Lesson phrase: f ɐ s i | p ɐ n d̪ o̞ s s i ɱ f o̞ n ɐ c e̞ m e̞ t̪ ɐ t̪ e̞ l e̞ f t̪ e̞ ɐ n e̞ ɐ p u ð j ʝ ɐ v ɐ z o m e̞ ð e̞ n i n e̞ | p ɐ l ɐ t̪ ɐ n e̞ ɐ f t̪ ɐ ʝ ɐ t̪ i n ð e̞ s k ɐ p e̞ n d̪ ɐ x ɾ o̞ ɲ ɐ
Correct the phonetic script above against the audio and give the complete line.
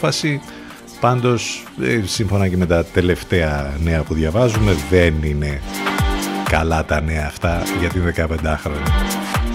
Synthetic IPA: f ɐ s i | p ɐ n d̪ o̞ s s i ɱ f o̞ n ɐ c e̞ m e̞ t̪ ɐ t̪ e̞ l e̞ f t̪ e̞ ɐ n e̞ ɐ p u ð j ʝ ɐ v ɐ z u m e̞ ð e̞ n i n e̞ | k ɐ l ɐ t̪ ɐ n e̞ ɐː f t̪ ɐ ʝ ɐ t̪ i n ð e̞ k ɐ p e̞ n d̪ ɐ x ɾ o̞ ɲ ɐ